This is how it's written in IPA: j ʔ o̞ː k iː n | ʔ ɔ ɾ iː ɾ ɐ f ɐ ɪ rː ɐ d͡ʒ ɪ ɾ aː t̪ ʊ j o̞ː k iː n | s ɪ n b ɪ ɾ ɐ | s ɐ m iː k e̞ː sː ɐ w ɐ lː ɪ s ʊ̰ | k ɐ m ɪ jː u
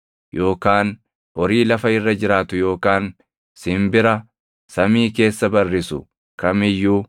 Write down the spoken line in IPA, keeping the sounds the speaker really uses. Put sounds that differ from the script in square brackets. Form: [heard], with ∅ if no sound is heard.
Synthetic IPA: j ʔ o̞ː k [aː] n | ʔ ɔ ɾ iː [l] ɐ f ɐ ɪ rː ɐ d͡ʒ ɪ ɾ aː t̪ ʊ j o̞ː k [aː] n | s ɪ [m] b ɪ ɾ ɐ | s ɐ m iː k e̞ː sː ɐ [b] ɐ [rː] ɪ s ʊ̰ | k ɐ m ɪ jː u

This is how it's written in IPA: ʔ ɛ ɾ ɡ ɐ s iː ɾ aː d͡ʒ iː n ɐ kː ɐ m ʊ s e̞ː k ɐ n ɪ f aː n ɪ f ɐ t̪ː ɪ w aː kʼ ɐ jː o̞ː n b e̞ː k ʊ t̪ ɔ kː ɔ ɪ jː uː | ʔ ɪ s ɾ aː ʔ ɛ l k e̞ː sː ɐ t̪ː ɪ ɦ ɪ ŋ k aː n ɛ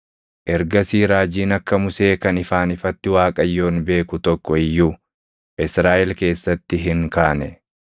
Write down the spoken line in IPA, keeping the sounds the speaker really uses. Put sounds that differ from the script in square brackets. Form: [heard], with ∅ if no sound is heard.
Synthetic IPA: ʔ ɛ ɾ ɡ ɐ s iː ɾ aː d͡ʒ iː n ɐ kː ɐ m ʊ s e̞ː k ɐ n ɪ f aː n ɪ f ɐ t̪ː ɪ w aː kʼ ɐ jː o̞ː n b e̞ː k ʊ t̪ ɔ kː ɔ ɪ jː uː | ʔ ɪ s ɾ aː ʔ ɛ l k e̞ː sː ɐ t̪ː ɪ ɦ ɪ ŋ k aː n ɛ

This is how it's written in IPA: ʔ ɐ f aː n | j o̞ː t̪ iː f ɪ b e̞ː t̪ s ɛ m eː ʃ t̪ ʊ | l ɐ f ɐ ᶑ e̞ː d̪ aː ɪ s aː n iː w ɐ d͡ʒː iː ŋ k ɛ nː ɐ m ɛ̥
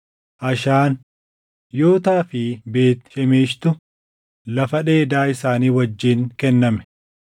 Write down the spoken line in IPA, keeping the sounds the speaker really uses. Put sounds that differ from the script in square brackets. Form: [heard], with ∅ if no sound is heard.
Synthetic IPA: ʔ ɐ [ʃ] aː n | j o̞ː t̪ [aː] f ɪ b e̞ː t̪ [ʃ] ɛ m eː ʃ t̪ ʊ | l ɐ f ɐ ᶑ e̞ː d̪ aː ɪ s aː n iː w ɐ d͡ʒː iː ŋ k ɛ nː ɐ m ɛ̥

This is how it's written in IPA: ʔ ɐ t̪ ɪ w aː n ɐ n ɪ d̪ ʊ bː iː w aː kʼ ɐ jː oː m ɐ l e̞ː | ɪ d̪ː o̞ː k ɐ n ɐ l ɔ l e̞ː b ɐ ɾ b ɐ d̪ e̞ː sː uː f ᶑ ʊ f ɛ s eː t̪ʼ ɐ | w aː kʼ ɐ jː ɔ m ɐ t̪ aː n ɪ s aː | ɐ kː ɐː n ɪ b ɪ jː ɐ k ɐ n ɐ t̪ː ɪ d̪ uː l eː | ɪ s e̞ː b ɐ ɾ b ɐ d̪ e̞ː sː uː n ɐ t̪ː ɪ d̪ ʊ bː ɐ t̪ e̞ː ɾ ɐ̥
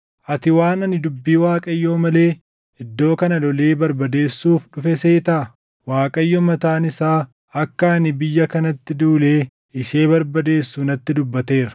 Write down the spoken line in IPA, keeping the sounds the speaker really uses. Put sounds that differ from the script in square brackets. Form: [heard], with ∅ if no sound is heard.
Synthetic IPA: ʔ ɐ t̪ ɪ w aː n ɐ n ɪ d̪ ʊ bː iː w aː kʼ ɐ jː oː m ɐ l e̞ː | ɪ d̪ː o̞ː k ɐ n ɐ l ɔ l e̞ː b ɐ ɾ b ɐ d̪ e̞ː sː uː f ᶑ ʊ f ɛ s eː [t̪] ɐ | w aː kʼ ɐ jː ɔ m ɐ t̪ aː n ɪ s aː | ɐ kː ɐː n ɪ b ɪ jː ɐ k ɐ n ɐ t̪ː ɪ d̪ uː l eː | ɪ [ʃ] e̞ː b ɐ ɾ b ɐ d̪ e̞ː sː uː n ɐ t̪ː ɪ d̪ ʊ bː ɐ t̪ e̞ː ɾ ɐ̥

